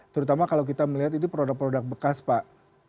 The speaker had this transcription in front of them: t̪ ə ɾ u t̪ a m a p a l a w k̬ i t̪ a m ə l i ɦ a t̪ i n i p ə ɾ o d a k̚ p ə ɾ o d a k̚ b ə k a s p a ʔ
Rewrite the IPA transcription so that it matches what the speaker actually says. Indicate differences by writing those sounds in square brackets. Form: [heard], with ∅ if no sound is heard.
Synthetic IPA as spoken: t̪ ə ɾ u t̪ a m a [k] a l a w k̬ i t̪ a m ə l i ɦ a t̪ i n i p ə ɾ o d a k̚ p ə ɾ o d a k̚ b ə k a s p a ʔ